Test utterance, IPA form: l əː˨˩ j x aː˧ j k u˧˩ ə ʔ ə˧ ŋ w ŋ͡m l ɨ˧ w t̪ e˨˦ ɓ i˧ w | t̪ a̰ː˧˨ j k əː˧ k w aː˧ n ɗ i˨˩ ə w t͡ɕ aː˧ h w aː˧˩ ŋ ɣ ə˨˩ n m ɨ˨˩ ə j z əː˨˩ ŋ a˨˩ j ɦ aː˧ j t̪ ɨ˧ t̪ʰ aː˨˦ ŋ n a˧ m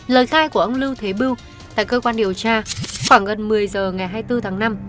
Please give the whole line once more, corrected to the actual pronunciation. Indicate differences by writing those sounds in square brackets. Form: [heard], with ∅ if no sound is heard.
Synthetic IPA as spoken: l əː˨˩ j x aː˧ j k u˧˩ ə ʔ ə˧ [∅] w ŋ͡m l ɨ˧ w [t̪ʰ] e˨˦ ɓ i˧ w | t̪ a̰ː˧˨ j k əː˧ k w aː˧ n ɗ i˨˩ ə w t͡ɕ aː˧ [x] w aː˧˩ ŋ ɣ ə˨˩ n m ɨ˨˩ ə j z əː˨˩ ŋ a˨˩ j ɦ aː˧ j t̪ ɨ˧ t̪ʰ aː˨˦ ŋ n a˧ m